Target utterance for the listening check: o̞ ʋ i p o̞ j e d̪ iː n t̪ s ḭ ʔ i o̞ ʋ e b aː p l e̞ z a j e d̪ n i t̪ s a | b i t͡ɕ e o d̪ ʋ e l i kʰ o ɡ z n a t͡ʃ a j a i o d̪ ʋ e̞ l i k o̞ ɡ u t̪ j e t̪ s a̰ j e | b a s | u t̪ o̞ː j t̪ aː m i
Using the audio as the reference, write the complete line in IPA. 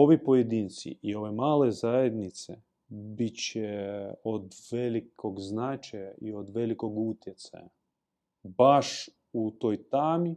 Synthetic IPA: o̞ ʋ i p o̞ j e d̪ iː n t̪ s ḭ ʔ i o̞ ʋ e m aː l e̞ z a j e d̪ n i t̪ s e | b i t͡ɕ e o d̪ ʋ e l i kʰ o ɡ z n a t͡ʃ a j a i o d̪ ʋ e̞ l i k o̞ ɡ u t̪ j e t̪ s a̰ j a | b a ʃ | u t̪ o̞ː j t̪ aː m i